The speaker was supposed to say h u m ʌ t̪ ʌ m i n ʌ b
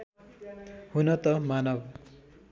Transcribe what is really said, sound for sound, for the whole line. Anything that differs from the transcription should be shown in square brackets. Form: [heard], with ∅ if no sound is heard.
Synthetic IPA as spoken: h u [n] ʌ t̪ ʌ m [a] n ʌ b